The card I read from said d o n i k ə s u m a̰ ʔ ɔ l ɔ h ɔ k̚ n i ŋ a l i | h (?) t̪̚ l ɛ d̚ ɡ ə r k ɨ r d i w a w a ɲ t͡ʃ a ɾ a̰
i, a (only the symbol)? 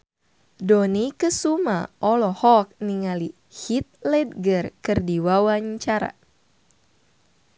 i